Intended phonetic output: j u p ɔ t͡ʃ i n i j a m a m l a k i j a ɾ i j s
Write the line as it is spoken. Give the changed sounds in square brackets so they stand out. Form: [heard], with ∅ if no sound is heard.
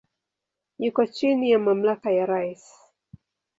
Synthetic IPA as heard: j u [k] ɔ t͡ʃ i n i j a m a m l a k [a] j a ɾ [a] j s